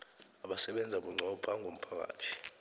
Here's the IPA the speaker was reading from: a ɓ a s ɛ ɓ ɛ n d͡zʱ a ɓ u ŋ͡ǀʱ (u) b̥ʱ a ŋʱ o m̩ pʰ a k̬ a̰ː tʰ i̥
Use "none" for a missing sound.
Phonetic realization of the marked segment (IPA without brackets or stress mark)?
ɔ